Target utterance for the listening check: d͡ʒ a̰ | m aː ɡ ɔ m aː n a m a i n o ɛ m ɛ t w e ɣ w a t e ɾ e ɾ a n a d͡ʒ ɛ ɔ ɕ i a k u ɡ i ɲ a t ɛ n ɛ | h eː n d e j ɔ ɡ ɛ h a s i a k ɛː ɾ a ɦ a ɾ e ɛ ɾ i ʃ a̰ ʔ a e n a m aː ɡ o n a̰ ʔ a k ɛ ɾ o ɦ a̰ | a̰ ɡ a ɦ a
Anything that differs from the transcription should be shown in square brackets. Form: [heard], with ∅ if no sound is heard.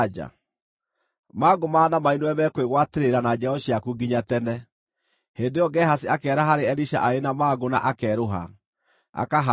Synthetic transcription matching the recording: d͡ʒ a̰ | m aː ɡ [o] m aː n a m a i n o ɛ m ɛ [k] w e ɣ w a t e ɾ e ɾ a n a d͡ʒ ɛ ɔ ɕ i a k u ɡ i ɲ a t ɛ n ɛ | h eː n d e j ɔ ɡ ɛ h a s i a k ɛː ɾ a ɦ a ɾ e ɛ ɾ i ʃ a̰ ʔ a e n a m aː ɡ o n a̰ ʔ a k ɛ ɾ o ɦ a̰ | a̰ [k] a ɦ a